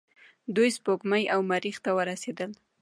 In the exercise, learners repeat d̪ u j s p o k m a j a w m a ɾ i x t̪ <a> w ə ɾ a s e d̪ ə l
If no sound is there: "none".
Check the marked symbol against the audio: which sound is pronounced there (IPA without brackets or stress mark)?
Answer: a